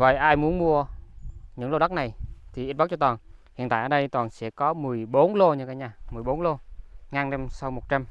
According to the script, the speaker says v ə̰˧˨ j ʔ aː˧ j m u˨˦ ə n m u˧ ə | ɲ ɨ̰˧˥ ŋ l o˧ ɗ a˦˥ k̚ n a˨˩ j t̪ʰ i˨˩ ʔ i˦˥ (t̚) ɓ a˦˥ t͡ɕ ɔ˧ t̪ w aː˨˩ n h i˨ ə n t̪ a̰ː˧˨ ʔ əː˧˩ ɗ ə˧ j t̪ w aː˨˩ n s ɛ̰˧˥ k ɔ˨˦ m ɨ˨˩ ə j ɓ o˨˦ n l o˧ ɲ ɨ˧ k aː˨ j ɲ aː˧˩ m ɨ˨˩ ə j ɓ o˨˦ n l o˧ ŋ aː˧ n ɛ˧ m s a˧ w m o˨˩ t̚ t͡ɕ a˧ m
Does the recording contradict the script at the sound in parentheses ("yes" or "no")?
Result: no